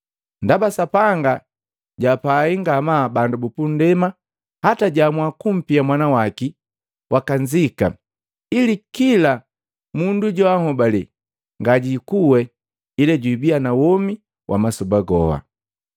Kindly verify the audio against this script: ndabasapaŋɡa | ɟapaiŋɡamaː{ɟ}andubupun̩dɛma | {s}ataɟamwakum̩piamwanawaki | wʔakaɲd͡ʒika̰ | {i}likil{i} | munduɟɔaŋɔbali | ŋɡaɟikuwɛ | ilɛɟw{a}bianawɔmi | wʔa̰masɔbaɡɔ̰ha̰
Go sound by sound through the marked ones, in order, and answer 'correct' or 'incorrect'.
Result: incorrect: b, incorrect: h, correct, incorrect: a, incorrect: i

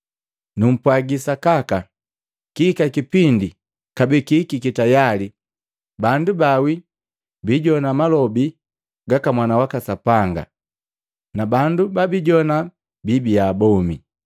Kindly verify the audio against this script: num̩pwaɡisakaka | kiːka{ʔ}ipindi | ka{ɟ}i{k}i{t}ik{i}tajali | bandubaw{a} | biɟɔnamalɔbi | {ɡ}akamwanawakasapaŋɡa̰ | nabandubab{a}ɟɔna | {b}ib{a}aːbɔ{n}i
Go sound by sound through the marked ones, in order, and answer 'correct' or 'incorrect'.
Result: incorrect: k, incorrect: b, correct, incorrect: k, correct, incorrect: i, correct, incorrect: i, correct, incorrect: i, incorrect: m

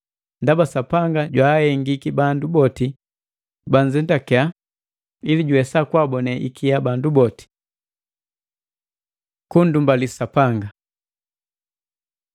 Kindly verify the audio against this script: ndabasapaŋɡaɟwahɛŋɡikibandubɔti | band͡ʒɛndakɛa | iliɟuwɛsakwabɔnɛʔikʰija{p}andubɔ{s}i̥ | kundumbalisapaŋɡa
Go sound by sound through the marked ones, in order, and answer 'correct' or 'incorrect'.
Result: incorrect: b, incorrect: t

